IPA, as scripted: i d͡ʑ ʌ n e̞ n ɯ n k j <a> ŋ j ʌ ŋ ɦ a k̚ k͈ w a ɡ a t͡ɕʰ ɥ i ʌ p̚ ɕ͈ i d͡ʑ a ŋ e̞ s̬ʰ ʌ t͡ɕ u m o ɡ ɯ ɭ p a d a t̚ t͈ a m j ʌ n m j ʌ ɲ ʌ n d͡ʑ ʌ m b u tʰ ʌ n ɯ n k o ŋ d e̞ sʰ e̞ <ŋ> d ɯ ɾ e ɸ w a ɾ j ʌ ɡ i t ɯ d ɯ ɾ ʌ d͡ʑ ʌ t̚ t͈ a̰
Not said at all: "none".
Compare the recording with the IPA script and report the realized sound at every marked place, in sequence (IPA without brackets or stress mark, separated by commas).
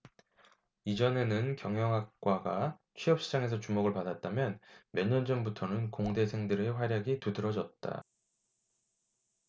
ʌ, ŋ